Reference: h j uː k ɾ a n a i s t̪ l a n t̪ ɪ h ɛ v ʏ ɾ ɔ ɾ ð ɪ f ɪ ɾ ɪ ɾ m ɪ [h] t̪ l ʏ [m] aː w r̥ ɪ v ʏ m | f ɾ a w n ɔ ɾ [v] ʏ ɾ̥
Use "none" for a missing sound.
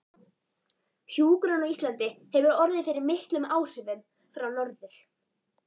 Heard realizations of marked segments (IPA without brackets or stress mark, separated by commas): h, m, ð